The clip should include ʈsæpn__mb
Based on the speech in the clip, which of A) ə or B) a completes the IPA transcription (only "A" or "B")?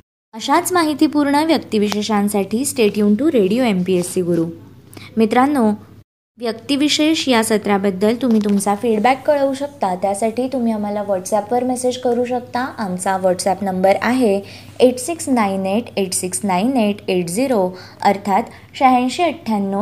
A